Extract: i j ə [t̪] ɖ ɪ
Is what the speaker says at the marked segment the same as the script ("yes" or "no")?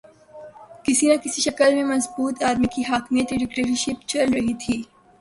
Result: yes